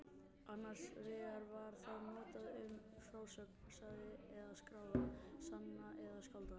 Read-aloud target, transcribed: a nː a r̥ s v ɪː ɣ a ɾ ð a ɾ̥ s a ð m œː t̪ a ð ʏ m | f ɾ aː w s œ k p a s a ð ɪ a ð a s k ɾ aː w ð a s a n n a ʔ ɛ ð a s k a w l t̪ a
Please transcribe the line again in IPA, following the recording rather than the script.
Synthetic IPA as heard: a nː a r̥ s v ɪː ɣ a ɾ v a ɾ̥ θ a ð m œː t̪ a ð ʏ m | f ɾ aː w s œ k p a s a ð ɪ ɛ ð a s k ɾ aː w ð a s a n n a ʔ ɛ ð a s k a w l t̪ a